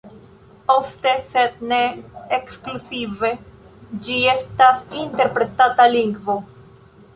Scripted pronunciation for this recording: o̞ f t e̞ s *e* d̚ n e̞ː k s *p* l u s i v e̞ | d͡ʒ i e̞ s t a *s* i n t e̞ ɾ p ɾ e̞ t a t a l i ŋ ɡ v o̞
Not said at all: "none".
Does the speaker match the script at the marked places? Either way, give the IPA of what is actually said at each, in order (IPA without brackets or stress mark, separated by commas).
e, k, s